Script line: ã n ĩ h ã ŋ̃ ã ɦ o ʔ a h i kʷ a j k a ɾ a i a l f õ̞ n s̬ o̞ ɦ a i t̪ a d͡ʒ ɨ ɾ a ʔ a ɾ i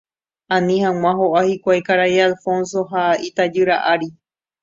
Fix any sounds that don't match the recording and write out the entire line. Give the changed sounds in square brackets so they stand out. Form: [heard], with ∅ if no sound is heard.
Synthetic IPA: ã n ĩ h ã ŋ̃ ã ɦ o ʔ a h i kʷ a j k a ɾ a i a l f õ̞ n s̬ o̞ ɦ a i t̪ a d͡ʒ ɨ ɾ a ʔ a ɾ i